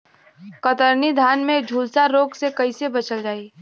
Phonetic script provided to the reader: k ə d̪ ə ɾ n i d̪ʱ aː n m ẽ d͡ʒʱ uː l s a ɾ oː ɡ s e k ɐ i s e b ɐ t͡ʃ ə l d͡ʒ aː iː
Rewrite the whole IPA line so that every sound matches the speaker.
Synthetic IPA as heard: k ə t̪ ə ɾ n i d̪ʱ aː n m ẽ d͡ʒʱ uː l s a ɾ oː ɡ s e k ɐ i s e b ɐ t͡ʃ ə l d͡ʒ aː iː